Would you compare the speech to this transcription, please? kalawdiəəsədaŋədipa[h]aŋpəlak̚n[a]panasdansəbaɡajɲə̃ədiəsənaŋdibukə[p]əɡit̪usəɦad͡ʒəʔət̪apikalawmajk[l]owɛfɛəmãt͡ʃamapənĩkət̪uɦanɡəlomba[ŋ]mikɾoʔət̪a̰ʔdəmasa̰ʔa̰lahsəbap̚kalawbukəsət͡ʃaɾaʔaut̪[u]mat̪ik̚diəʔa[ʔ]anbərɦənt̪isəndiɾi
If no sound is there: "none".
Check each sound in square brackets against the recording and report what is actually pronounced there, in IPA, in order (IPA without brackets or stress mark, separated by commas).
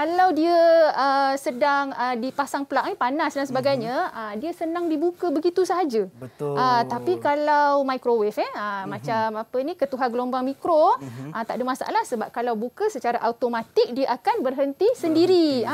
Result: s, i, b, ɾ, ŋ, o, k